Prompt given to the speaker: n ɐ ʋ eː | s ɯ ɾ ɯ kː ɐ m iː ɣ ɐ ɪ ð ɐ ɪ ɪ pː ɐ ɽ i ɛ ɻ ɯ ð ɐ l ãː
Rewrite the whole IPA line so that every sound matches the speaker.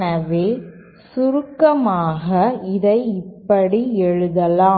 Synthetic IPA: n ɐ ʋ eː | s ʊ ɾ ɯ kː ɐ m aː ɣ ɐ ɪ ð ɐ ɪ ɪ pː ɐ ɽ i ɛ ɻ ɯ ð ɐ l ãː

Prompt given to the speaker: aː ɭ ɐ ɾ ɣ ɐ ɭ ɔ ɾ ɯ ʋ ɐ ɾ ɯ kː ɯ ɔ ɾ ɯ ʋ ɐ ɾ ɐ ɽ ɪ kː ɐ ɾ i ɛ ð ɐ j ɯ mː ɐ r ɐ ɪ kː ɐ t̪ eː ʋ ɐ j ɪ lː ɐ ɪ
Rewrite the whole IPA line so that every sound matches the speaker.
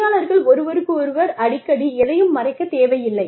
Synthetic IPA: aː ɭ ɐ ɾ ɣ ɐ ɭ ɔ ɾ ɯ ʋ ɐ ɾ ɯ kː ɯ ɔ ɾ ɯ ʋ ɐ ɾ ɐ ɽ ɪ kː ɐ ɽ i ɛ ð ɐ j ɯ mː ɐ r ɐ ɪ kː ɐ t̪ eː ʋ ɐ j ɪ lː ɐ ɪ

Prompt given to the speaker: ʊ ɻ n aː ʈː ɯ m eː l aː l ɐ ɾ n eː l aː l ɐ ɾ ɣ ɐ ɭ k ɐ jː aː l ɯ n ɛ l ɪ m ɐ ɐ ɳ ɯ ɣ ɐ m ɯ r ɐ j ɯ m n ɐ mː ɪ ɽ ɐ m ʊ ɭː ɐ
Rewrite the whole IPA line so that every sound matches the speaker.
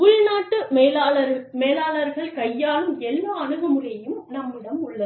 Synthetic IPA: ʊ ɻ n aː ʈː ɯ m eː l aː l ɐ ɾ m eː l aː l ɐ ɾ ɣ ɐ ɭ k ɐ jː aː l ɯ m ɛ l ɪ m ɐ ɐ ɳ ɯ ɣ ɐ m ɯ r ɐ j ɯ m n ɐ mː ɪ ɽ ɐ m ʊ ɭː ɐ

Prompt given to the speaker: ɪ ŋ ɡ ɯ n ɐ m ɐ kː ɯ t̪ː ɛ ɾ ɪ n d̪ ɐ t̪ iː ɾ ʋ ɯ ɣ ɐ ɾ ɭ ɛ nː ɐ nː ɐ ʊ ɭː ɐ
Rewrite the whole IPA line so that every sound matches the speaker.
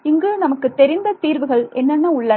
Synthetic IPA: ɪ ŋ ɡ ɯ n ɐ m ɐ kː ɯ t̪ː ɛ ɾ ɪ n d̪ ɐ t̪ iː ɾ ʋ ɯ ɣ ɐ ɭ ɛ nː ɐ nː ɐ ʊ ɭː ɐ

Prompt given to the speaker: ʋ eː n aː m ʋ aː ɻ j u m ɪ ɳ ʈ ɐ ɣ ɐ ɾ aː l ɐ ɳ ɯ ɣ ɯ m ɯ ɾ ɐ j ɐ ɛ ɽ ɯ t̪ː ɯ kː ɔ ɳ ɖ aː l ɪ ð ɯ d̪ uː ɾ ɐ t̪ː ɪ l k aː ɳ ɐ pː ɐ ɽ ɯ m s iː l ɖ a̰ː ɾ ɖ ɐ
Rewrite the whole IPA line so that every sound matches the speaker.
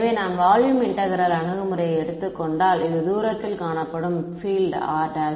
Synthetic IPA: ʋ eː n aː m ʋ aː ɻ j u m ɪ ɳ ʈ ɐ ɣ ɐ ɾ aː l ɐ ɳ ɯ ɣ ɯ m ɯ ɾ ɐ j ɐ ɛ ɽ ɯ t̪ː ɯ kː ɔ ɳ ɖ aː l ɪ ð ɯ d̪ uː ɾ ɐ t̪ː ɪ l k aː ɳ ɐ pː ɐ ɽ ɯ m f iː l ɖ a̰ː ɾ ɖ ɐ

